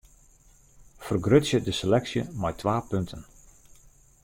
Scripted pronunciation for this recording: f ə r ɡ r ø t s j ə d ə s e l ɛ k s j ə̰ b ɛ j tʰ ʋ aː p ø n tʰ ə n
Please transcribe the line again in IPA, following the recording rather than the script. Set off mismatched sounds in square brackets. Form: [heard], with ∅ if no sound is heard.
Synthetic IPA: f ə r ɡ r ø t s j ə d ə s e l ɛ k s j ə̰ [m] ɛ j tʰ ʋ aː p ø n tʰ ə n